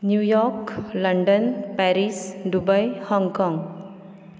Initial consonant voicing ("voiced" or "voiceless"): voiced